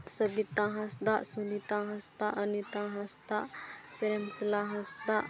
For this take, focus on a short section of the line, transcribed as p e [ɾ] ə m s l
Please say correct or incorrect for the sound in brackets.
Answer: correct